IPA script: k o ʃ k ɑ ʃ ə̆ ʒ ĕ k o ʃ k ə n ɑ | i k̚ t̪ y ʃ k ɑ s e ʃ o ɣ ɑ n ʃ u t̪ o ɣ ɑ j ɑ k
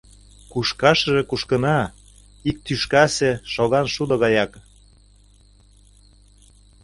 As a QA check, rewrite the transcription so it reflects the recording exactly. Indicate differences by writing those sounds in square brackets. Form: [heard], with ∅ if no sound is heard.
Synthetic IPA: k [u] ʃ k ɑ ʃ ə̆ ʒ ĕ k [u] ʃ k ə n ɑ | i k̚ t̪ y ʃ k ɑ s e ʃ o ɣ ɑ n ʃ u [d̪] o ɣ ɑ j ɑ k